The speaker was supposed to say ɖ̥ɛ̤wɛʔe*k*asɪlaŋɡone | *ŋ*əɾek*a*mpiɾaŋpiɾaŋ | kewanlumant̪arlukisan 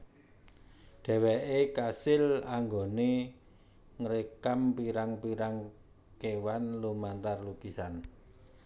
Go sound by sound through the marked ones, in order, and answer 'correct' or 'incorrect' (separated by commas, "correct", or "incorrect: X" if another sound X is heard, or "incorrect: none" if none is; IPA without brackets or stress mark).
correct, correct, correct